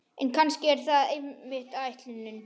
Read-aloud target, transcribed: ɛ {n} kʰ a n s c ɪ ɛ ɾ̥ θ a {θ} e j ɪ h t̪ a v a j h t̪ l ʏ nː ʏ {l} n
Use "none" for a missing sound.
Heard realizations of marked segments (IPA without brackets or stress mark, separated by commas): n, ð, none